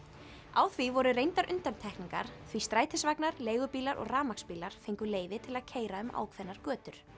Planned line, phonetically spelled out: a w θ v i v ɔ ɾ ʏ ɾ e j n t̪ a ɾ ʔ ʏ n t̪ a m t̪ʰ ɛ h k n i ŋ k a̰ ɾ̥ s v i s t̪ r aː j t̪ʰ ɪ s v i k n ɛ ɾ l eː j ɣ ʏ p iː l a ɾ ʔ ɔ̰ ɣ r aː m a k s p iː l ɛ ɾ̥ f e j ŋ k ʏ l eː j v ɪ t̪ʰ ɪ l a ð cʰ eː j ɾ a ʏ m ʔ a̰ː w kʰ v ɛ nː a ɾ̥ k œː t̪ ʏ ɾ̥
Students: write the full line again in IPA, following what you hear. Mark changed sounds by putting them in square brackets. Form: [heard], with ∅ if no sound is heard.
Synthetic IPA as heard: a w θ v i v ɔ ɾ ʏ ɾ e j n t̪ a ɾ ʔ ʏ n t̪ a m t̪ʰ ɛ h k n i ŋ k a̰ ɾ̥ [θ] v i s t̪ [ɾ] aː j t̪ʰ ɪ s v [a] k n [a] ɾ l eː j ɣ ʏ p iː l a ɾ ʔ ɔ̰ ɣ r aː m a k s p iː l [a] ɾ̥ f e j ŋ k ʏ l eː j v ɪ t̪ʰ ɪ l a ð cʰ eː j ɾ a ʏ m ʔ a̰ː w kʰ v ɛ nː a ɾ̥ k œː t̪ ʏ ɾ̥